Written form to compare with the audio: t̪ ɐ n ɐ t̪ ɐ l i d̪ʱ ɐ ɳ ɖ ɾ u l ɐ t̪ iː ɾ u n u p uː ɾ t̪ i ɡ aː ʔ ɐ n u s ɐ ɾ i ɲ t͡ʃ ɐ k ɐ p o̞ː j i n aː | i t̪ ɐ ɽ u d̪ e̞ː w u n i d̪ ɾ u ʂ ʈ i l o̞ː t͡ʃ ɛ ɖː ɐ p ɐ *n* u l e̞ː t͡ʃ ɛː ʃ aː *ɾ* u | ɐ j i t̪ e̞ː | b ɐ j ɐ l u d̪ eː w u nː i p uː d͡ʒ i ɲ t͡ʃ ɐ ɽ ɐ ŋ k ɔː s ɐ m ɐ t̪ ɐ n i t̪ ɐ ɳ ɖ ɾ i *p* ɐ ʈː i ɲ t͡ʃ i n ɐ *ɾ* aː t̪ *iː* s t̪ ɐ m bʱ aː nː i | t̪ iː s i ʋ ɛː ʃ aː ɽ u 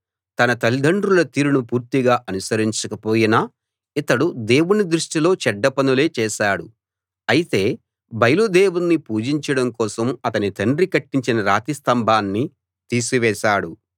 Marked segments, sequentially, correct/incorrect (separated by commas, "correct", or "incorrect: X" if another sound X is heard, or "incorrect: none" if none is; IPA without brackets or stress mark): correct, incorrect: ɽ, incorrect: k, correct, incorrect: i